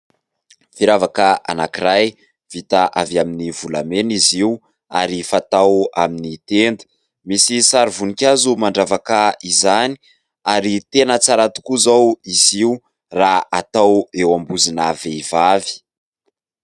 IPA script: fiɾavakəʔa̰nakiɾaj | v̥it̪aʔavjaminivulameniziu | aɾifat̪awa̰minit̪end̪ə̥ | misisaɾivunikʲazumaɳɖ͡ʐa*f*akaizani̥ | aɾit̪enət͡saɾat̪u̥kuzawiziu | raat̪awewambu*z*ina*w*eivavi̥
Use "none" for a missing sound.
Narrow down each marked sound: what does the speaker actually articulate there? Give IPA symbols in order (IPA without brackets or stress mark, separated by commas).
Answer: v, z, v